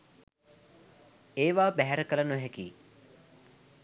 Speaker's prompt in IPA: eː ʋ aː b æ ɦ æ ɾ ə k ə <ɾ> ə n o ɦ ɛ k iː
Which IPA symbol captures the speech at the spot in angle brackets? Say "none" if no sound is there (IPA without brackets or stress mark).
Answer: l